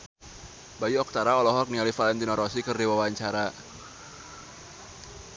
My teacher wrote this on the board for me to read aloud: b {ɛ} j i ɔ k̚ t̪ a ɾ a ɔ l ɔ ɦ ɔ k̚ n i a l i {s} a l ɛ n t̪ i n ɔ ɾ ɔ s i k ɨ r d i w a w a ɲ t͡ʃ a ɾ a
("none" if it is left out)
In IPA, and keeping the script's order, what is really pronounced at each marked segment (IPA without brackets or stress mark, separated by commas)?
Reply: a, f